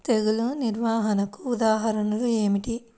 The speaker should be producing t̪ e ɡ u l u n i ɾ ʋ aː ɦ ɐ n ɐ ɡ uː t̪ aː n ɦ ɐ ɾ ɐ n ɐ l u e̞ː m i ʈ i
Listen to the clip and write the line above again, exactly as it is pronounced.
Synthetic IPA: t̪ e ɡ u l u n i ɾ ʋ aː ɦ ɐ n ɐ k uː d̪ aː ɦ ɐ ɾ ɐ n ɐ l u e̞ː m i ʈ i